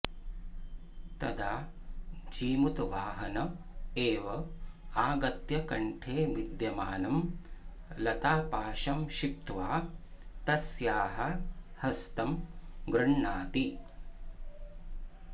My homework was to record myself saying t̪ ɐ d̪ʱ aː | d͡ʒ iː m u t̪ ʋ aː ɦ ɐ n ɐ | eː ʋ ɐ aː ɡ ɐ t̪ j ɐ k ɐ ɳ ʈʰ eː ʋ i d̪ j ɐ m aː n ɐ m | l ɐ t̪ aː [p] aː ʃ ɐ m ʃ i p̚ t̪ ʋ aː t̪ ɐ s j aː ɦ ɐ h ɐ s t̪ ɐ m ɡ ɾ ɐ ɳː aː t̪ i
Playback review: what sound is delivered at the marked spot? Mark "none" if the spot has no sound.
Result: p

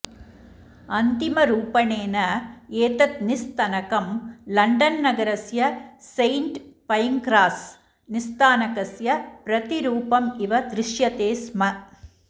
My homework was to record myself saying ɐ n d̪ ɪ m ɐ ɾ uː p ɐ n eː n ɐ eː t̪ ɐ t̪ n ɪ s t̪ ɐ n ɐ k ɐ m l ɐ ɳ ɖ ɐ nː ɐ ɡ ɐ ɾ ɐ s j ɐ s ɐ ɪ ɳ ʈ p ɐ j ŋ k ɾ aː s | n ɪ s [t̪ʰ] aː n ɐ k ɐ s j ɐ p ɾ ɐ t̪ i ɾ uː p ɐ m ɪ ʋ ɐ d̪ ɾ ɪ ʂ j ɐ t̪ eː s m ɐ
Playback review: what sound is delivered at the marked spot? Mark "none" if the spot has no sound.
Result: t̪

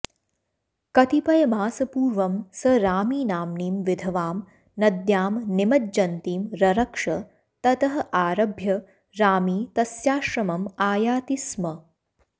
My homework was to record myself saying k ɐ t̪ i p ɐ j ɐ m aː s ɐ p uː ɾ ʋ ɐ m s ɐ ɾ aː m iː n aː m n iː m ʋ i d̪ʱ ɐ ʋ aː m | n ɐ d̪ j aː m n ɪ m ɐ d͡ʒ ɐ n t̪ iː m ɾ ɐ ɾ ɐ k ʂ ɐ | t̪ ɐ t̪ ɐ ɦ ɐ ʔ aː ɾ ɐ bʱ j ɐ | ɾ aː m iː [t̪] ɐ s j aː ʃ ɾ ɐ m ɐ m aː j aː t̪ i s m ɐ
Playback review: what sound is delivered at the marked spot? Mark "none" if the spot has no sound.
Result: t̪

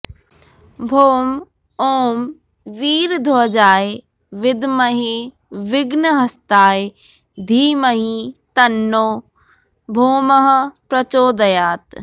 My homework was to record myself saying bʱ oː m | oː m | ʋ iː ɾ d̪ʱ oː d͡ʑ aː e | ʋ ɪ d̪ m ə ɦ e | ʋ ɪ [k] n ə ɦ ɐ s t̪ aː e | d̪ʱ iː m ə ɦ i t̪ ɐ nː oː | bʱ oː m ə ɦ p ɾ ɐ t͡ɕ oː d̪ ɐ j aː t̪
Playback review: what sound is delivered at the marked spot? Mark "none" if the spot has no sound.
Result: ɡ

